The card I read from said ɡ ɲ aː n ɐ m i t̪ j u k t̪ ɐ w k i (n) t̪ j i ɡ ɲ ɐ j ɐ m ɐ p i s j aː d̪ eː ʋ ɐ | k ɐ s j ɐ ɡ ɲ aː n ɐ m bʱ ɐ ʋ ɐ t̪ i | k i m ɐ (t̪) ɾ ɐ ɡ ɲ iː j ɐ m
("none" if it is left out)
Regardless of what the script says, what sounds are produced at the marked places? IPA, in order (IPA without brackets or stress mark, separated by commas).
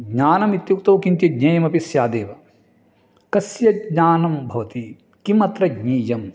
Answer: n, t̪